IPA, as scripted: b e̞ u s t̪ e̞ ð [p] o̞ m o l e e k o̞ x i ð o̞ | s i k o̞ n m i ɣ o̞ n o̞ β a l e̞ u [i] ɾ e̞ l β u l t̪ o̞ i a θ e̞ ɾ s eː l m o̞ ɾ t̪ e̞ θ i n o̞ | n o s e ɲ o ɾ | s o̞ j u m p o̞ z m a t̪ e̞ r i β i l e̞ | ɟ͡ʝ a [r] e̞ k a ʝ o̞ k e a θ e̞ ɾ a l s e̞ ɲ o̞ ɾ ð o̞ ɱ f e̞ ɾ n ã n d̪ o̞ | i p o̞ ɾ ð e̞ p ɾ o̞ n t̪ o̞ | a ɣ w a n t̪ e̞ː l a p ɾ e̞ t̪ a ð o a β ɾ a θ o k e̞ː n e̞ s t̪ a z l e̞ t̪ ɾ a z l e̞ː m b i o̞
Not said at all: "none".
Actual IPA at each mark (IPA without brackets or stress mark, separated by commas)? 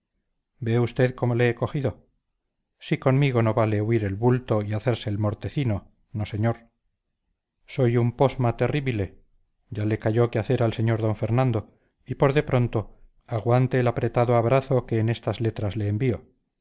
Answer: k, i, l